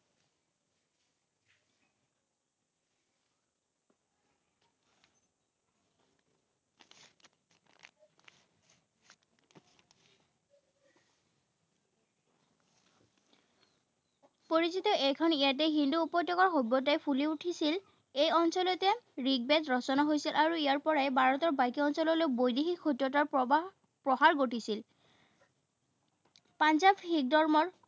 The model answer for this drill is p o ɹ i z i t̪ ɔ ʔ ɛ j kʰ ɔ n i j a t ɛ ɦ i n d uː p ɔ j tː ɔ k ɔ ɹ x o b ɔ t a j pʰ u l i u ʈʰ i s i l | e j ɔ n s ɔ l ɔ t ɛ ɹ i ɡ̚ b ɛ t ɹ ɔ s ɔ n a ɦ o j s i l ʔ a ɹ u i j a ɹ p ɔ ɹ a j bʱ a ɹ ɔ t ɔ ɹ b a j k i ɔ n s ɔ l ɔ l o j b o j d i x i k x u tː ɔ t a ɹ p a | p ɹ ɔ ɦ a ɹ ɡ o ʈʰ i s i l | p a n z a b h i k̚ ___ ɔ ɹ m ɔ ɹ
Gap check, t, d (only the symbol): d